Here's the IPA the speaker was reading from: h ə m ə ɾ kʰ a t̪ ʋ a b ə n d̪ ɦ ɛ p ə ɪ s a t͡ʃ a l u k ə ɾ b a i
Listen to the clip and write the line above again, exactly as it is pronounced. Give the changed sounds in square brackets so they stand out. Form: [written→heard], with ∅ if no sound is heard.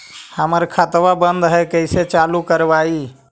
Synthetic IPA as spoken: h ə m ə ɾ kʰ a t̪ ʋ a b ə n d̪ ɦ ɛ [p→k] ə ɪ s [a→e] t͡ʃ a l u k ə ɾ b a i